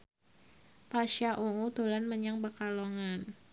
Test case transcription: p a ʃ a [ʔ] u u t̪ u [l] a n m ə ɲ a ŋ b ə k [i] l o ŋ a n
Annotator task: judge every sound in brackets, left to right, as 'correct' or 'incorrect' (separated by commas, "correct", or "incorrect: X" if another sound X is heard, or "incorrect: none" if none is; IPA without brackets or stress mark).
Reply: correct, correct, incorrect: a